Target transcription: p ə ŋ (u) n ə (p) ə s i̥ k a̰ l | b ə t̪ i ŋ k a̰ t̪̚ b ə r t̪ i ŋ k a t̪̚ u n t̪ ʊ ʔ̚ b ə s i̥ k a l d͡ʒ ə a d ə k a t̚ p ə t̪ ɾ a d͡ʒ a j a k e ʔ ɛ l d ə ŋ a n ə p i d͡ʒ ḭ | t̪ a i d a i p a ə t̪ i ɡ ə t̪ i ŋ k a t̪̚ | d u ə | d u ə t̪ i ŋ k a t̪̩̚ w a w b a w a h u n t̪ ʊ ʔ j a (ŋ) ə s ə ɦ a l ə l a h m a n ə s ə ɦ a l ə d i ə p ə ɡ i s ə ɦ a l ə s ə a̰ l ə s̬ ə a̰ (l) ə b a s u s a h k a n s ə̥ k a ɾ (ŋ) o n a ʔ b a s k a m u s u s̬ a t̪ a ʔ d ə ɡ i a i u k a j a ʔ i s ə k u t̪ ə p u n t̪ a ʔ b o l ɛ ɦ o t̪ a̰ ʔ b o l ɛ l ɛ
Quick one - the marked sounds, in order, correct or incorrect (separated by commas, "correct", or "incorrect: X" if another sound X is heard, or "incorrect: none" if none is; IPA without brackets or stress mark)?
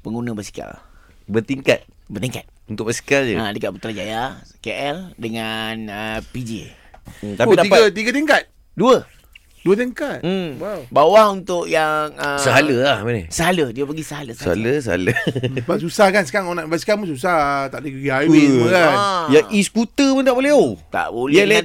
correct, incorrect: b, correct, correct, correct